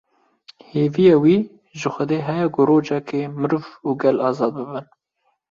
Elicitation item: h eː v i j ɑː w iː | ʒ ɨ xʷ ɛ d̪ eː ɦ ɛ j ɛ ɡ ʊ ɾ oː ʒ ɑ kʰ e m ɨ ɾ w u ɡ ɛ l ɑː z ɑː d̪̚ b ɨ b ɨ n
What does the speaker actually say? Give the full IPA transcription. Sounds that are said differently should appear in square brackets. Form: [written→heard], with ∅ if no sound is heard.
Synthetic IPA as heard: h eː v i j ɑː w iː | ʒ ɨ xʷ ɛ d̪ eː ɦ ɛ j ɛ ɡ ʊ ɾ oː [ʒ→d͡ʒ] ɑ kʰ e m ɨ ɾ [w→v] u ɡ ɛ l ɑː z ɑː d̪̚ b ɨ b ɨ n